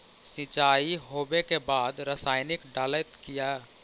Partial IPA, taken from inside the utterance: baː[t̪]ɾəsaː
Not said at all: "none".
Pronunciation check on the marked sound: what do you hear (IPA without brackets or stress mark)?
d̪